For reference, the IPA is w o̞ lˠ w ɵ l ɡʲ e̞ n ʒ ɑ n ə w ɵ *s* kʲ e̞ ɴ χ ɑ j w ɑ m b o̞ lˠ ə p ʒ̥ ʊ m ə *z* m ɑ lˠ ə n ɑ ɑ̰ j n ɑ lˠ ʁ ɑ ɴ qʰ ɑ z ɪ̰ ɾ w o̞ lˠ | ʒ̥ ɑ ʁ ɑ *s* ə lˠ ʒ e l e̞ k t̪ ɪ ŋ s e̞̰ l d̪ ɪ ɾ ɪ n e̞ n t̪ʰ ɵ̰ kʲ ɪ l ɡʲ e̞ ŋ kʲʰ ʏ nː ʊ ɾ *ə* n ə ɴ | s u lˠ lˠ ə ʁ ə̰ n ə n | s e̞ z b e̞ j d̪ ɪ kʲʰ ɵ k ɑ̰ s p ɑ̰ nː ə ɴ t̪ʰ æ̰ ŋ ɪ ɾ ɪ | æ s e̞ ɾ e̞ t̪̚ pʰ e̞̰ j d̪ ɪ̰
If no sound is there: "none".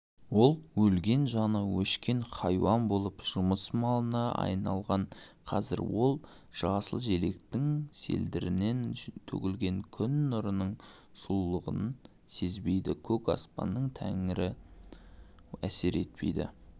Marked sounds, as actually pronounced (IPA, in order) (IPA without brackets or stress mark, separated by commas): ʃ, s, s, ə